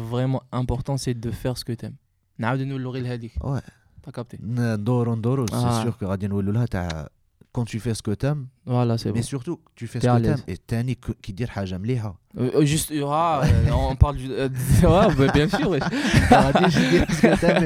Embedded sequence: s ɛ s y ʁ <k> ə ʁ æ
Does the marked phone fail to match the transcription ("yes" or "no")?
no